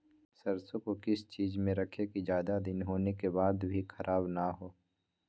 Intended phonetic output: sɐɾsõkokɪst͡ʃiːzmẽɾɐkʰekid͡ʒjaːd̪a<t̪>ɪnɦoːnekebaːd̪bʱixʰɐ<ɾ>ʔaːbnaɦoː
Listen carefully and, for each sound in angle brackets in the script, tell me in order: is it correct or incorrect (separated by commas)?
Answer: incorrect, correct